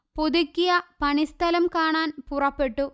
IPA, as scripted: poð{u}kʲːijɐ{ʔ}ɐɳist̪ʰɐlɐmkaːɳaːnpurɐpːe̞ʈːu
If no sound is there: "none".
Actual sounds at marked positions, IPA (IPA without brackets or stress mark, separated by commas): u, p